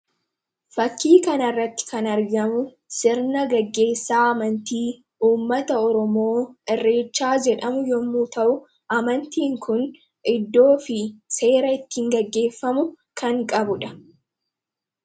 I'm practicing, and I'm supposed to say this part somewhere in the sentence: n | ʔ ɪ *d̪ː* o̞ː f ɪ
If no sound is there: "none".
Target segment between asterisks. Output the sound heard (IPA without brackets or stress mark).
d̪ː